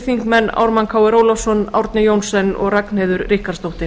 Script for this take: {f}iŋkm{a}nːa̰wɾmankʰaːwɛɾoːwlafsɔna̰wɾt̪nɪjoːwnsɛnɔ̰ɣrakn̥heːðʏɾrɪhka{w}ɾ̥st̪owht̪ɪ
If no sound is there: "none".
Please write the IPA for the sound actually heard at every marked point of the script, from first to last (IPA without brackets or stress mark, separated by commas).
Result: θ, ɛ, none